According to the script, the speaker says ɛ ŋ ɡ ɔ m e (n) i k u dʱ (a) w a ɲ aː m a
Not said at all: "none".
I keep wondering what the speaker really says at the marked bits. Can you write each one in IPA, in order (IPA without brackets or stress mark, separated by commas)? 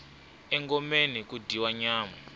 n, i